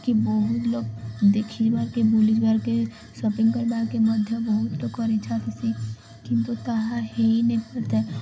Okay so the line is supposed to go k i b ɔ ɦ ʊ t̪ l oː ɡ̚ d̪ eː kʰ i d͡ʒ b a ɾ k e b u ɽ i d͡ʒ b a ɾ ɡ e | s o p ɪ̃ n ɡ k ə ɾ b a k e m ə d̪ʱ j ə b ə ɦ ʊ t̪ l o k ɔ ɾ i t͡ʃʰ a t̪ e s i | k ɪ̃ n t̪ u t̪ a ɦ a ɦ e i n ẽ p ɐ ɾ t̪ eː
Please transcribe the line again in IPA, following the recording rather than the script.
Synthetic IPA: k i b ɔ ɦ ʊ t̪ l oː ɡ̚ d̪ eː kʰ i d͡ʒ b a ɾ k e b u l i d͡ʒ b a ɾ k e | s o p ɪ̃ ŋ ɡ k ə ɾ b a k e m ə d̪ʱ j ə b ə ɦ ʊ t̪ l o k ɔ ɾ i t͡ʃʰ a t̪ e s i | k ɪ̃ n t̪ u t̪ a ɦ a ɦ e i n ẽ p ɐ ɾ t̪ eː